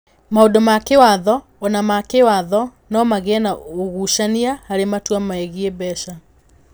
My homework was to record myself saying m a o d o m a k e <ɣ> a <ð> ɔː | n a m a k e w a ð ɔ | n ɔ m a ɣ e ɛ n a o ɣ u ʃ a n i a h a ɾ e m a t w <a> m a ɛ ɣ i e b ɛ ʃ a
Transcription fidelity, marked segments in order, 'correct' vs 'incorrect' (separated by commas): incorrect, correct, correct